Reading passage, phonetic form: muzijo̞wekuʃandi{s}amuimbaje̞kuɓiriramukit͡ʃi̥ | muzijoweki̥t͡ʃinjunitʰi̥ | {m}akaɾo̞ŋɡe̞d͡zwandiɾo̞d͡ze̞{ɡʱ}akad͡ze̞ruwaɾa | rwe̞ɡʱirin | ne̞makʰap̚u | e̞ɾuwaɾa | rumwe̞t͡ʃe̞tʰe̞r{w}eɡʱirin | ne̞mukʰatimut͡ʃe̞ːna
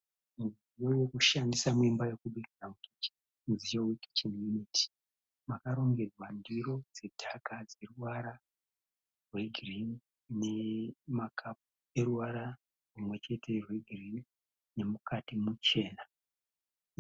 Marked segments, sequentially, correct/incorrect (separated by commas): correct, correct, incorrect, correct